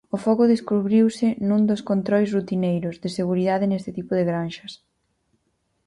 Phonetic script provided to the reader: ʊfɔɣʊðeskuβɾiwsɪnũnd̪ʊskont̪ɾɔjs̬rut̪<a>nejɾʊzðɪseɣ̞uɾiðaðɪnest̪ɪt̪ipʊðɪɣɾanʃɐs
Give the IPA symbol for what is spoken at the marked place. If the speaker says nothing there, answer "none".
i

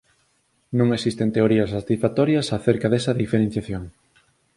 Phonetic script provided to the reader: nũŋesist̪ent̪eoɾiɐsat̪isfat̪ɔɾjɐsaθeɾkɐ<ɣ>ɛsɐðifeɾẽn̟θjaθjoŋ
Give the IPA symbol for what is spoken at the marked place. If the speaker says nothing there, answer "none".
ð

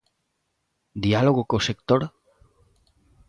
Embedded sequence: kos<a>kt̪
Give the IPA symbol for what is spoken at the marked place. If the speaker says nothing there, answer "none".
e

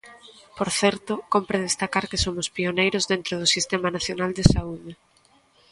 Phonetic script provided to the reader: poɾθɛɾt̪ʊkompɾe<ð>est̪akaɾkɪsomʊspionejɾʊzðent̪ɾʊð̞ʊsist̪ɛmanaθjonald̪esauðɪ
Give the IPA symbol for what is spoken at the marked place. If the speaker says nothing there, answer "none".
ð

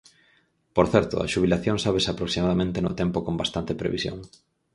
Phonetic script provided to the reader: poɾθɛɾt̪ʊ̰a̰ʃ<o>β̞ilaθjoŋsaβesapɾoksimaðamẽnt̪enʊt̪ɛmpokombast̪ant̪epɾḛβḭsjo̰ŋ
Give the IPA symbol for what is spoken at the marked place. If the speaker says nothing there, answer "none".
u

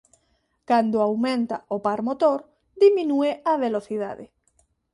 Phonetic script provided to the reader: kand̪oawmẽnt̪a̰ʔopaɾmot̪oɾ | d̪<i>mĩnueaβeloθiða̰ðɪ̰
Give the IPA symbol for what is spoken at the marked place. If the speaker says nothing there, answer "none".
i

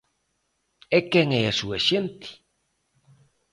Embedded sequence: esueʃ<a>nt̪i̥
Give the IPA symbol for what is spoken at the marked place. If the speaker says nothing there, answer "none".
e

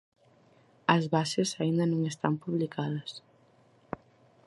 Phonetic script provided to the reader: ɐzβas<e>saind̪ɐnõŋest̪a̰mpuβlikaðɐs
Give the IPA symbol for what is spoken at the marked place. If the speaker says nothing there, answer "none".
e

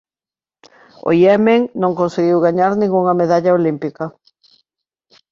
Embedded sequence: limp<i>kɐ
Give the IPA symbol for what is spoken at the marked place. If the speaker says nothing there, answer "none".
i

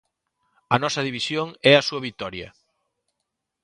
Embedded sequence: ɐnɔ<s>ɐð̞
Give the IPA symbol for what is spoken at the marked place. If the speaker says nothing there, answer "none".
s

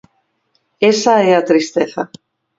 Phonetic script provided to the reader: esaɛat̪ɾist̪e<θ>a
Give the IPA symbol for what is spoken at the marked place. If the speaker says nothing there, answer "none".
θ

